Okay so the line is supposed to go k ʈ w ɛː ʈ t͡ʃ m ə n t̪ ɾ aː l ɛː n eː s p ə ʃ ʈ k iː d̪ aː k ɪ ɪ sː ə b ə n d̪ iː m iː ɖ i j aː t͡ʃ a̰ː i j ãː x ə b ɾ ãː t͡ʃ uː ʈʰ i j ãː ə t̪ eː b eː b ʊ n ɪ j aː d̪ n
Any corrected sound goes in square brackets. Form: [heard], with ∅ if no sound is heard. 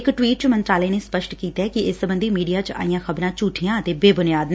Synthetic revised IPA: k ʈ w [iː] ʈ t͡ʃ m ə n t̪ ɾ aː l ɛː n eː s p ə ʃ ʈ k iː [t̪] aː k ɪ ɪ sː ə b ə n d̪ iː m iː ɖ i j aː t͡ʃ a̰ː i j ãː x ə b ɾ ãː t͡ʃ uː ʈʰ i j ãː ə t̪ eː b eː b ʊ n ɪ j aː d̪ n